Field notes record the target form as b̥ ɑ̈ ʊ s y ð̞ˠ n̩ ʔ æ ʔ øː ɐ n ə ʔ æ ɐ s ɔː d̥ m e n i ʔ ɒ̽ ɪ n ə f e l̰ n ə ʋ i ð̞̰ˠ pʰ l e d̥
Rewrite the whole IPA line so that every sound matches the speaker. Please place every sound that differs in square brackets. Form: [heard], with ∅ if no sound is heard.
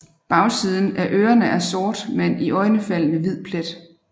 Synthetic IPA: b̥ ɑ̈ ʊ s [i] ð̞ˠ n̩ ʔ æ ʔ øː ɐ n ə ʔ æ ɐ s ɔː d̥ m e n i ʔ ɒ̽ ɪ n ə f [æ] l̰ n ə ʋ i ð̞̰ˠ pʰ l e d̥